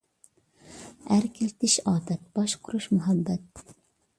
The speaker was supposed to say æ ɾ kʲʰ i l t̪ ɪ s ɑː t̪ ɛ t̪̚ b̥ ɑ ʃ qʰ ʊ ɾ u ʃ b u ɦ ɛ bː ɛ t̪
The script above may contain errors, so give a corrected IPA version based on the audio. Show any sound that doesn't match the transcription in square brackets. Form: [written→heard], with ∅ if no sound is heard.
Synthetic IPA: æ ɾ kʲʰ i l t̪ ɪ [s→ʃ] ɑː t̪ ɛ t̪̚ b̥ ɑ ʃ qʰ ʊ ɾ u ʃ [b→m] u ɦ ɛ bː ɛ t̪